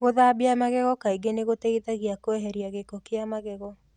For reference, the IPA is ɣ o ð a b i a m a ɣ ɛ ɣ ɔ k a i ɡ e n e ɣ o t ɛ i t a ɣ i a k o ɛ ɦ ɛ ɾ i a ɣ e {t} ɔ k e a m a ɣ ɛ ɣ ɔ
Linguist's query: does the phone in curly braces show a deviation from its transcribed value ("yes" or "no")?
yes